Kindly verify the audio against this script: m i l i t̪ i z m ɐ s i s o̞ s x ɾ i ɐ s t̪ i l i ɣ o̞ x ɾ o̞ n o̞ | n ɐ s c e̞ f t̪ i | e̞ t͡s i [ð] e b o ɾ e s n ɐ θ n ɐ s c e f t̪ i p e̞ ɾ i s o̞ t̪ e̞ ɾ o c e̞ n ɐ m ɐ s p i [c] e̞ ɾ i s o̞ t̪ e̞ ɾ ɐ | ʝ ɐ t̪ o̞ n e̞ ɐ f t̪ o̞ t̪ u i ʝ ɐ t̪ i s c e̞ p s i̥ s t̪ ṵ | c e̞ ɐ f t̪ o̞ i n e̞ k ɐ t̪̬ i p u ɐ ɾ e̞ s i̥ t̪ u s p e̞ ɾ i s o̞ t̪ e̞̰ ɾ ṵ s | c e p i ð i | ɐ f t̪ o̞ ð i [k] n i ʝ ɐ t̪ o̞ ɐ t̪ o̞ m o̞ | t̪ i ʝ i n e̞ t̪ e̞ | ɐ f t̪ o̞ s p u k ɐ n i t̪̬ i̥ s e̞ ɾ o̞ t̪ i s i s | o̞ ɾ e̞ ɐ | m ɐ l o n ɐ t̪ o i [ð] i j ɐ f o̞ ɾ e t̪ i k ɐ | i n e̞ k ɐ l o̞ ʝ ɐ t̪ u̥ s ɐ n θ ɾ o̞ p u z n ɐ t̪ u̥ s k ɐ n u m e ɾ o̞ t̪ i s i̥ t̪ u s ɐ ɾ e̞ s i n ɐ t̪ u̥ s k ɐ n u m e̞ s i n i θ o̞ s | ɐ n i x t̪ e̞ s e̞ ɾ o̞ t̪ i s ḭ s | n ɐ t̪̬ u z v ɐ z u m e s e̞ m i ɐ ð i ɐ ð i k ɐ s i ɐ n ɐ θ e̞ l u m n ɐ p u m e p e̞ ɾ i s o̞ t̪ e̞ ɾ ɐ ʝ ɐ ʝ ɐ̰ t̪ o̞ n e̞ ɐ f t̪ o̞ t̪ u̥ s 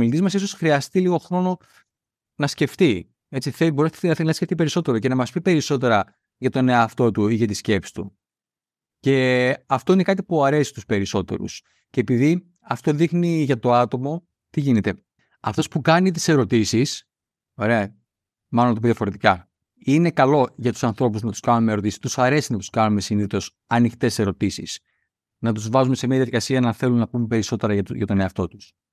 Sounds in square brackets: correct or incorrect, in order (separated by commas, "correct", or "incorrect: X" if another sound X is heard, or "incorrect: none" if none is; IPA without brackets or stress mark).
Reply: incorrect: θ, incorrect: p, incorrect: x, correct